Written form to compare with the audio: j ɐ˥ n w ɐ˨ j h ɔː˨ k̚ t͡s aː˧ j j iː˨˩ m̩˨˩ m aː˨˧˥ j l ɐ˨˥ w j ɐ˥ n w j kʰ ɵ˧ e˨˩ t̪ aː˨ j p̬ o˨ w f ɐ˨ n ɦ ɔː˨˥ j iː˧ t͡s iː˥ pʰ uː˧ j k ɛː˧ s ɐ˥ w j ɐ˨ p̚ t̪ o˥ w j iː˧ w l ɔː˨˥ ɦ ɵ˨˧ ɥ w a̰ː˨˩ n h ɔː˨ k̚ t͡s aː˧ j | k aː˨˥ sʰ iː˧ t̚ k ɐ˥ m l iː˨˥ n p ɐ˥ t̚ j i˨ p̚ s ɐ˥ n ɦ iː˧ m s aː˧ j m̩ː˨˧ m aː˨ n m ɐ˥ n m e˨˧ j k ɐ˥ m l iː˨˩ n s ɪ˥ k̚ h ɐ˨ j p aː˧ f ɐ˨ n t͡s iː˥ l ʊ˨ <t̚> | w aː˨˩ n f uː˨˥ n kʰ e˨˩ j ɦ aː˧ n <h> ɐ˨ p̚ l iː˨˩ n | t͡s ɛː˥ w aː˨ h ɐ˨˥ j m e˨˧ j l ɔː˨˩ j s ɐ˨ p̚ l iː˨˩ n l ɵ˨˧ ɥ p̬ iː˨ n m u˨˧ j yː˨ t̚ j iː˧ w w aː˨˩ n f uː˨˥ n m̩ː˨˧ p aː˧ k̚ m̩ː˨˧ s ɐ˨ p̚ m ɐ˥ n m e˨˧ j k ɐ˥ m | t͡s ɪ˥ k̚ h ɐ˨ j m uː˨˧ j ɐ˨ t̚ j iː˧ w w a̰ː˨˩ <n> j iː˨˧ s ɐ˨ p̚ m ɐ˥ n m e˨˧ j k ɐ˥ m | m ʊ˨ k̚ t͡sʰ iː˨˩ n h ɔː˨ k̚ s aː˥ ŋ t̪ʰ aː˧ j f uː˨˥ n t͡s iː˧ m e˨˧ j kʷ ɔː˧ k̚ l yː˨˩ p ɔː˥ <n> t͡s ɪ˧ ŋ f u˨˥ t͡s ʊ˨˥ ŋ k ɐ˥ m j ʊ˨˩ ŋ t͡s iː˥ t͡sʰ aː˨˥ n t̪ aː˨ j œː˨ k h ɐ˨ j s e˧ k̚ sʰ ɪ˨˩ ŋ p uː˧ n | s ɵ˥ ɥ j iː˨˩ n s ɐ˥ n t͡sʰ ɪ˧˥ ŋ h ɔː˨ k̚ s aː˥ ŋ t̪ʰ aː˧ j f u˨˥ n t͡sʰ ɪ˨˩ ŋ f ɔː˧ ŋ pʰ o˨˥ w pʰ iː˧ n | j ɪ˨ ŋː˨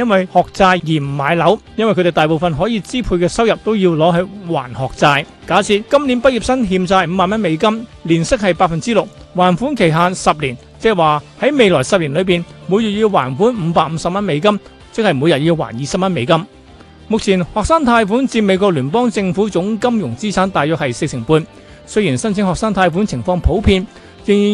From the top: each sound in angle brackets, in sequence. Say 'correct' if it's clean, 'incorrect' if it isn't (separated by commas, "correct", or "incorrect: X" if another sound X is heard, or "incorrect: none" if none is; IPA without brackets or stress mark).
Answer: incorrect: k̚, incorrect: s, correct, incorrect: ŋ